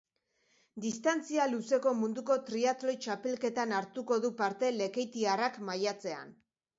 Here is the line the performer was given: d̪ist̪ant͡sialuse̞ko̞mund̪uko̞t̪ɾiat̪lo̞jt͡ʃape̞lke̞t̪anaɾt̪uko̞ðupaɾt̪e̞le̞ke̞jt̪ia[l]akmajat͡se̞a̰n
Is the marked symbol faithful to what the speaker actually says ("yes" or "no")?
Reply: no